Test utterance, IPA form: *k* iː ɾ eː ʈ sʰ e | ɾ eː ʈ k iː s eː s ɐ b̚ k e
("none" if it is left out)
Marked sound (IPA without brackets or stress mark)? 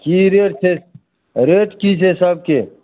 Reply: k